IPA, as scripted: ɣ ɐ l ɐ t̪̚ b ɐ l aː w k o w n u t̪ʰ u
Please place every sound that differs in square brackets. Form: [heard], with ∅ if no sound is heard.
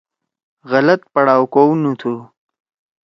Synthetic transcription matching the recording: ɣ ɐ l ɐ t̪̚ [p] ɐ [ɽ] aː w k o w n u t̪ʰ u